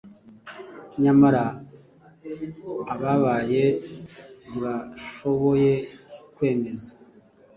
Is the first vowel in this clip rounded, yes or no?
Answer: no